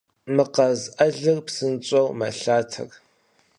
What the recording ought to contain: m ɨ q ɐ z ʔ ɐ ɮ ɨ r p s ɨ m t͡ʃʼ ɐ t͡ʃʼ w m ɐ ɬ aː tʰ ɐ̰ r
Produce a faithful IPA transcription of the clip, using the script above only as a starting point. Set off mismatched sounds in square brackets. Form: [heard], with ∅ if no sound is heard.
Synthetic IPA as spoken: m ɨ q ɐ z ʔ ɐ ɮ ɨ r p s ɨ [n] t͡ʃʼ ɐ [∅] w m ɐ ɬ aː tʰ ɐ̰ r